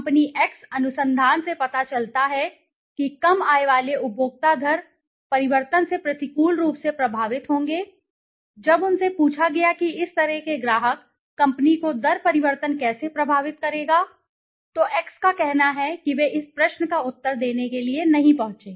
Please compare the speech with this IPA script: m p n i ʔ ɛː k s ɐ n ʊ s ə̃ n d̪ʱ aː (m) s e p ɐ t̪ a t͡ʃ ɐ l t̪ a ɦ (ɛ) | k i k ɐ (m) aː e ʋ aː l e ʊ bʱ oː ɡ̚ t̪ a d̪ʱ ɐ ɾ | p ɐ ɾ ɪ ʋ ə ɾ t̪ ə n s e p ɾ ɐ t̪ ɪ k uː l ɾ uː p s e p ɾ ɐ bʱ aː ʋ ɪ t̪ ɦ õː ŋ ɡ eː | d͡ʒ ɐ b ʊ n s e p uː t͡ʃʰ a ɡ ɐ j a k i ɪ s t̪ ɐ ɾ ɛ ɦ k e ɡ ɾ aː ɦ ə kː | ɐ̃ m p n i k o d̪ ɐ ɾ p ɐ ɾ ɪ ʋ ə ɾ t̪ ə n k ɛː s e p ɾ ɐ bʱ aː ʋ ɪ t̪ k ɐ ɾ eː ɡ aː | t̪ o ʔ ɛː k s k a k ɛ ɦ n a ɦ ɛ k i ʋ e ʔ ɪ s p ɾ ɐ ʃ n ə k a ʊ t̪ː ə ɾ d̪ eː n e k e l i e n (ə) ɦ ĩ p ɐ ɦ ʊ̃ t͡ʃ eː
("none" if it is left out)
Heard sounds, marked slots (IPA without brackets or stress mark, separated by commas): n, ɛ, m, ɐ